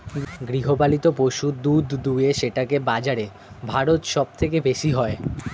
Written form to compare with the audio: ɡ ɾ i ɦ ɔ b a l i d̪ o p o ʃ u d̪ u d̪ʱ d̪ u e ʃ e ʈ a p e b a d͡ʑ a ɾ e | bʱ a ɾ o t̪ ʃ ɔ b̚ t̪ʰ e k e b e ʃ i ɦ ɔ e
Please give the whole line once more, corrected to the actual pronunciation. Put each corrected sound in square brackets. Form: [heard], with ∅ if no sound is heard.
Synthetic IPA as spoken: ɡ ɾ i ɦ [o] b a l i [t̪] o p o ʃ u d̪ u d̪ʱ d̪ u e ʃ e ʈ a [k] e b a d͡ʑ a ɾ e | bʱ a ɾ o t̪ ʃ ɔ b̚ t̪ʰ e k e b e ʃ i ɦ ɔ e